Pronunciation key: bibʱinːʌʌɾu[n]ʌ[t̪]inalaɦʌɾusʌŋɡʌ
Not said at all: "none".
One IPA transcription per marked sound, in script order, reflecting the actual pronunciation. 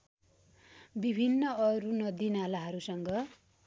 n, d̪

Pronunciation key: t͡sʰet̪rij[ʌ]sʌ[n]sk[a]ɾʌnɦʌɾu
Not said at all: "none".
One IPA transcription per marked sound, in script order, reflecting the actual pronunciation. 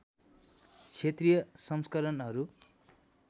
ʌ, m, ʌ

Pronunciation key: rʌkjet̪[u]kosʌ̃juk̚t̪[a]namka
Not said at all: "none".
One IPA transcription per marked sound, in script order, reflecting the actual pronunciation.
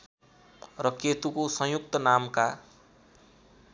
u, ʌ

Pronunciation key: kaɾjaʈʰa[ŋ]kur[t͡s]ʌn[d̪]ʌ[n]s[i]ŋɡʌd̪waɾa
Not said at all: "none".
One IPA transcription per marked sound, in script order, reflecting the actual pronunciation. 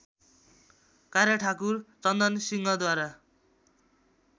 none, t͡s, d̪, n, i

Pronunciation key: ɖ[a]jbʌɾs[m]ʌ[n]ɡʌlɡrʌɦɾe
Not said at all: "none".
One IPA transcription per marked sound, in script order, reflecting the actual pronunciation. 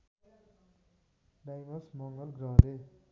a, m, ŋ

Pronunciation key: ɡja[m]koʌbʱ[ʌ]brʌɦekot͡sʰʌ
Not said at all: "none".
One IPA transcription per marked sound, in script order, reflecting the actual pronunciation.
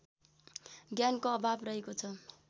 n, a

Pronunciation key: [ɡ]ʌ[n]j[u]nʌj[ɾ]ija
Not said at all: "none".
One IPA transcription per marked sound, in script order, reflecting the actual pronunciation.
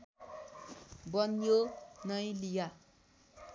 b, n, o, l

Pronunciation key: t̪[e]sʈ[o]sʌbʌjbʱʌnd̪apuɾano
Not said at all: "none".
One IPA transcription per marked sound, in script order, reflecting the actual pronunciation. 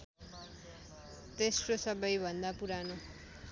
e, o

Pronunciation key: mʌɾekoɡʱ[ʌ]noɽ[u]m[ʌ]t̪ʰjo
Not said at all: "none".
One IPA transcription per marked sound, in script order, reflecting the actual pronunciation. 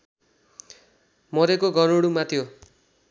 ʌ, u, a

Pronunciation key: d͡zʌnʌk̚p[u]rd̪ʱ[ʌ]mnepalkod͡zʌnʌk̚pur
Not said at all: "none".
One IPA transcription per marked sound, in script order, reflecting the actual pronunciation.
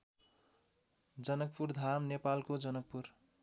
u, a

